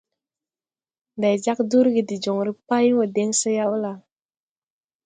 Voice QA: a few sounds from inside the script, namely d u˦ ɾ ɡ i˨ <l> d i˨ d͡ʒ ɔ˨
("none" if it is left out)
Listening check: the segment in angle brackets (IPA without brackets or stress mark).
none